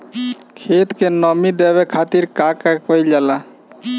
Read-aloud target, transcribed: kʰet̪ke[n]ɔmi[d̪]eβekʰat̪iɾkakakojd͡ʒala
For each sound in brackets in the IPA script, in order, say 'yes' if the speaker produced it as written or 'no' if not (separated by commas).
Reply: yes, yes